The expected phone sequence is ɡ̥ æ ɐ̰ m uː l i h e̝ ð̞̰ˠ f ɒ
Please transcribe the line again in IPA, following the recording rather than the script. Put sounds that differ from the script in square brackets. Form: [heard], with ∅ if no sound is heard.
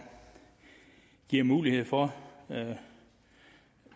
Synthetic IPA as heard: ɡ̥ [i] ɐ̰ m uː l i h e̝ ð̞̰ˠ f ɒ